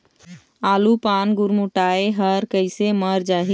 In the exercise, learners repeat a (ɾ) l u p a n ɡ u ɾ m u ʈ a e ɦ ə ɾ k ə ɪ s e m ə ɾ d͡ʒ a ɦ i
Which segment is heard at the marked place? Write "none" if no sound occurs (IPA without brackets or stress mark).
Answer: none